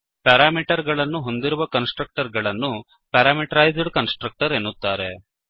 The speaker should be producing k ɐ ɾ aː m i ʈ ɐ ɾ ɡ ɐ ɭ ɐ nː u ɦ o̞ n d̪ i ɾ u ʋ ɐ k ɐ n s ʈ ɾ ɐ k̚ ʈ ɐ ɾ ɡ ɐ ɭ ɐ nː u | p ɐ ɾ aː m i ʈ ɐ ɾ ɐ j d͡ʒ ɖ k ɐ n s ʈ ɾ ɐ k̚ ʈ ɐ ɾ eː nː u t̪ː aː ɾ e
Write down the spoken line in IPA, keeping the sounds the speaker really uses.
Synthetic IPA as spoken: p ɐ ɾ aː m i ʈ ɐ ɾ ɡ ɐ ɭ ɐ nː u ɦ o̞ n d̪ i ɾ u ʋ ɐ k ɐ n s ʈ ɾ ɐ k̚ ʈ ɐ ɾ ɡ ɐ ɭ ɐ nː u | p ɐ ɾ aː m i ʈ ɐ ɾ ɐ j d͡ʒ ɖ k ɐ n s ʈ ɾ ɐ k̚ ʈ ɐ ɾ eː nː u t̪ː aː ɾ e